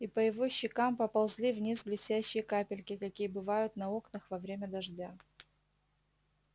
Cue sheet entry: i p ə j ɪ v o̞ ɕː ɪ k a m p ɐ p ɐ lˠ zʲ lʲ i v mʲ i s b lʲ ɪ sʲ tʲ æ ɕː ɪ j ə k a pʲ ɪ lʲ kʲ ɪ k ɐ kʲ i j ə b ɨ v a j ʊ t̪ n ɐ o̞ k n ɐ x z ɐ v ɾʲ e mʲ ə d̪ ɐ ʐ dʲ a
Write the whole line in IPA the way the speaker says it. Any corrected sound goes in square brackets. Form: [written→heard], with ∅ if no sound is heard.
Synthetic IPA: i p ə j ɪ v o̞ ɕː ɪ k a m p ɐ p ɐ lˠ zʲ lʲ i v [mʲ→nʲ] i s b lʲ ɪ sʲ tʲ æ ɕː ɪ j ə k a pʲ ɪ lʲ kʲ ɪ k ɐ kʲ i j ə b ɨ v a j ʊ t̪ n ɐ o̞ k n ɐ x [z→v] ɐ v ɾʲ e mʲ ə d̪ ɐ ʐ dʲ a